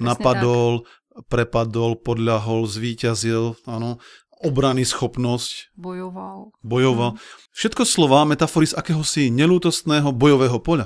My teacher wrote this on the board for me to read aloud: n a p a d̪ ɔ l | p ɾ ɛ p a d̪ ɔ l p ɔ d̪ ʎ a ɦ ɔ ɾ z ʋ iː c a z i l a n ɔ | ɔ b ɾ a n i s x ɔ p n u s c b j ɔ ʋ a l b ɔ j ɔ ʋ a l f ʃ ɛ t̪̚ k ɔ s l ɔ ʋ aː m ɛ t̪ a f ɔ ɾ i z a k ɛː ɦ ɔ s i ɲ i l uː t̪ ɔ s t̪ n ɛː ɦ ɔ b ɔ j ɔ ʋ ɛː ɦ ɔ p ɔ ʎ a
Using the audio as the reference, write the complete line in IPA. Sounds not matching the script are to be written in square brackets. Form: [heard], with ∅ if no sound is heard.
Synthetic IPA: n a p a d̪ ɔ l | p ɾ ɛ p a d̪ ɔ l p ɔ d̪ ʎ a ɦ ɔ [l] z ʋ iː c a z i l a n ɔ | ɔ b ɾ a n i s x ɔ p n [ɔ] s c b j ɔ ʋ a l b ɔ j ɔ ʋ a l f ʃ ɛ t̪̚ k ɔ s l ɔ ʋ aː m ɛ t̪ a f ɔ ɾ i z a k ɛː ɦ ɔ s i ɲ [ɛ] l uː t̪ ɔ s t̪ n ɛː ɦ ɔ b ɔ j ɔ ʋ ɛː ɦ ɔ p ɔ ʎ a